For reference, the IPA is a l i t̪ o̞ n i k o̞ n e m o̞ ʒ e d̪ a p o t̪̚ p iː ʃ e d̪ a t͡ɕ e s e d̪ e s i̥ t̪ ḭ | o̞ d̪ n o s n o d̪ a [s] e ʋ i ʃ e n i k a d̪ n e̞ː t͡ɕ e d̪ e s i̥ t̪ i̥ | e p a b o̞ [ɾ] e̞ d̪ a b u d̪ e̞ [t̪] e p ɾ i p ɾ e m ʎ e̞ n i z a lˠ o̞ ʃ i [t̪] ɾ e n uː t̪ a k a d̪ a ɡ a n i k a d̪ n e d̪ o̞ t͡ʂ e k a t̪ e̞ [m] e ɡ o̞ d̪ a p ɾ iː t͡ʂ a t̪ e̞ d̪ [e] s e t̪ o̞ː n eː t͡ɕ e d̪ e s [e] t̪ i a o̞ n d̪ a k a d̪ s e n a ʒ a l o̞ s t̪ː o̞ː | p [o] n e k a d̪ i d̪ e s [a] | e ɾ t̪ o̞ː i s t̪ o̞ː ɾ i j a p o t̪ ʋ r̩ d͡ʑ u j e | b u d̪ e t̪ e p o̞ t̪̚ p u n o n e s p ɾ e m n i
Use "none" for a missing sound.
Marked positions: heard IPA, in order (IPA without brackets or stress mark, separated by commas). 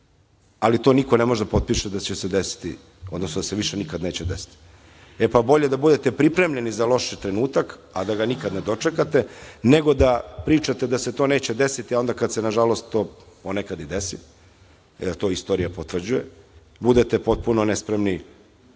s, ʎ, t̪, t̪, n, a, i, o, i